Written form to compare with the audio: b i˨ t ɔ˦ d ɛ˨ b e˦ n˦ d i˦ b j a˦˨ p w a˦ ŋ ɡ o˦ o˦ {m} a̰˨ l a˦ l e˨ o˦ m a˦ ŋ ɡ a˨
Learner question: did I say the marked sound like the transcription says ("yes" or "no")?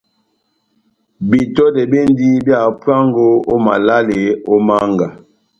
yes